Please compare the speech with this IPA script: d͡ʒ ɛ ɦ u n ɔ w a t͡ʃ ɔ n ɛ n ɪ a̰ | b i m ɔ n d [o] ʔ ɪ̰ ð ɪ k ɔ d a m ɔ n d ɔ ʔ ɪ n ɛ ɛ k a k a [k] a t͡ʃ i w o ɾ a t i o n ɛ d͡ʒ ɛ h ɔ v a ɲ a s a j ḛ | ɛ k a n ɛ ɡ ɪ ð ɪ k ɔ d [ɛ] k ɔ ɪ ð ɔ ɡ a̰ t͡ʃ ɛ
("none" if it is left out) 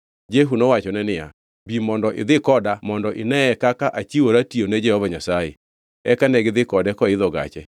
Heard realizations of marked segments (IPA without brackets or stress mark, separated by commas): ɔ, ʔ, ɛ